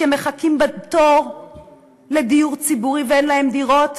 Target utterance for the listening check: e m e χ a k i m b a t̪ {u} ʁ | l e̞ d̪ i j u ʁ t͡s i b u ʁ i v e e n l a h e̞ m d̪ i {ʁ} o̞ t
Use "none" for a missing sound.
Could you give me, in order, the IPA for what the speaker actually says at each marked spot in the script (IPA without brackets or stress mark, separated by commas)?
o, ʁ